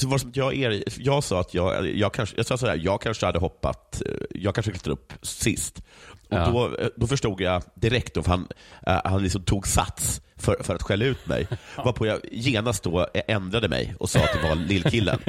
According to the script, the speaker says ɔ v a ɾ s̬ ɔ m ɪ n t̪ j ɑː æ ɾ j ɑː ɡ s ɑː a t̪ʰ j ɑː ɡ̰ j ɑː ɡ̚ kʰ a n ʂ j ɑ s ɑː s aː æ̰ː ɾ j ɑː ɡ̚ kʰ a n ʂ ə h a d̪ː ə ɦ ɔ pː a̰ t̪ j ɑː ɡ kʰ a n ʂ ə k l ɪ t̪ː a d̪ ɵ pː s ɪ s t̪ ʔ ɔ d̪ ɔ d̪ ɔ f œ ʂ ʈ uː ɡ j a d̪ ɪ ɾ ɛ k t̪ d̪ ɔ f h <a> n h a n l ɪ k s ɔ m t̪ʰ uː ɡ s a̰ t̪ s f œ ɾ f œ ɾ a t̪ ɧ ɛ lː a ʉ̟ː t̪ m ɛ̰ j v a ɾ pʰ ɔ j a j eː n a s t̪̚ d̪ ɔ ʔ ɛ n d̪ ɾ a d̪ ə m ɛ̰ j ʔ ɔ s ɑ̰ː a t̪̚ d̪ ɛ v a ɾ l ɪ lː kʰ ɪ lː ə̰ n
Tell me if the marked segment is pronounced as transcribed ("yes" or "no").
yes